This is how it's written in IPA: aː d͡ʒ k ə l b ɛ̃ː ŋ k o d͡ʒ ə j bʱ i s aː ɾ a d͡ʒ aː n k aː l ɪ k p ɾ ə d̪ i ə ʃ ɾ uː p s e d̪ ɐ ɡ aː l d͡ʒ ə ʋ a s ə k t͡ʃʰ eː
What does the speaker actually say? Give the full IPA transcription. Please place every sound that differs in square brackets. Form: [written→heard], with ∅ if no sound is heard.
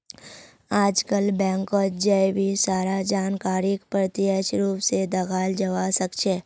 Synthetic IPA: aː d͡ʒ k ə l b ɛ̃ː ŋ k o d͡ʒ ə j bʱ i s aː ɾ a d͡ʒ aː n k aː [l→ɾ] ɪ k p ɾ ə [d̪→t̪] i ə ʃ ɾ uː p s e d̪ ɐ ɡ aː l d͡ʒ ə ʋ a s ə k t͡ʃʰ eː